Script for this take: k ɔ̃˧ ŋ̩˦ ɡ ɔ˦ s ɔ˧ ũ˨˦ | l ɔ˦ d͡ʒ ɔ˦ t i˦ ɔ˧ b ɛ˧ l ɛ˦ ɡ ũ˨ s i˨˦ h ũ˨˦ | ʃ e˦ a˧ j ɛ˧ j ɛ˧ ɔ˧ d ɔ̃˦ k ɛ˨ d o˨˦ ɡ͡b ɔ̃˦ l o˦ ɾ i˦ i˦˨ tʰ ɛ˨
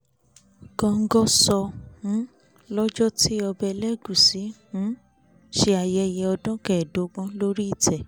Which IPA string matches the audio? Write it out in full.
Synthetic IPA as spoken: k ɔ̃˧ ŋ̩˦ ɡ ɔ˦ s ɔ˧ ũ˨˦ | l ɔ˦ d͡ʒ ɔ˦ t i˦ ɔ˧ b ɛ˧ l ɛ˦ ɡ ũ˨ s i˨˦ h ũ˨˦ | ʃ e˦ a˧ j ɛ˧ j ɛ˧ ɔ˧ d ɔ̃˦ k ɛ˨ d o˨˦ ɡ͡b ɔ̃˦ l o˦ ɾ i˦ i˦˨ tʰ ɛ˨

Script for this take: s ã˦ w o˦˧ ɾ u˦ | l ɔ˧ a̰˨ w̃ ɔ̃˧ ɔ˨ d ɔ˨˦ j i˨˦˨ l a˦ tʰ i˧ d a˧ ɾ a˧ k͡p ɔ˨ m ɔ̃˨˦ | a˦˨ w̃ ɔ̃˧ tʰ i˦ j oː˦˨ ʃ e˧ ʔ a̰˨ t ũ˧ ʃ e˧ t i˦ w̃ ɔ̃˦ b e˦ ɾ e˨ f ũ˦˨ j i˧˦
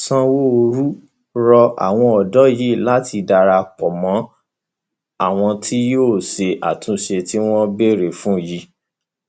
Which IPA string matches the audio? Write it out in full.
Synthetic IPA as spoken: s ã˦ w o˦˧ ɾ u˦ | ɾ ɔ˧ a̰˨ w̃ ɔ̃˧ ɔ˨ d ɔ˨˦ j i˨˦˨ l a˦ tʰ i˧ d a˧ ɾ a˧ k͡p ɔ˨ m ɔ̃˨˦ | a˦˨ w̃ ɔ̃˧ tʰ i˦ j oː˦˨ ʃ e˧ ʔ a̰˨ t ũ˧ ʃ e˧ t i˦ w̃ ɔ̃˦ b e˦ ɾ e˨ f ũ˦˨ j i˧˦

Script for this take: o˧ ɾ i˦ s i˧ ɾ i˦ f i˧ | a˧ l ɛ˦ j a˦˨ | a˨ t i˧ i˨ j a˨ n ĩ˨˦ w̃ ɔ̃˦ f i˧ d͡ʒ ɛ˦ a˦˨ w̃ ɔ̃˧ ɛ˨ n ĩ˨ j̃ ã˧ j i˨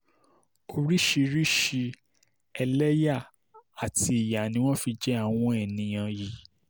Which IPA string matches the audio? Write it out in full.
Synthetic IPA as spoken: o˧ ɾ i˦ ʃ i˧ ɾ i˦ ʃ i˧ | ɛ˧ l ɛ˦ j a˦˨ | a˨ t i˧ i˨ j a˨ n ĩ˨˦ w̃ ɔ̃˦ f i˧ d͡ʒ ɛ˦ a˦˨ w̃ ɔ̃˧ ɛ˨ n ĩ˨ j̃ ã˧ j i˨

